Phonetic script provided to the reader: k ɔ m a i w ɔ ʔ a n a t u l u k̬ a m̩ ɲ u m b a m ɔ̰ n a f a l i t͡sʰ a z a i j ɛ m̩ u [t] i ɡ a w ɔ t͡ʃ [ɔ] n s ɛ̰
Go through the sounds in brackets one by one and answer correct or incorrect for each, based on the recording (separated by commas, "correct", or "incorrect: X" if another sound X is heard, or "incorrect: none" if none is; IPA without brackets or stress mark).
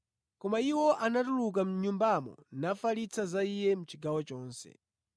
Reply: incorrect: t͡ʃ, incorrect: ɔː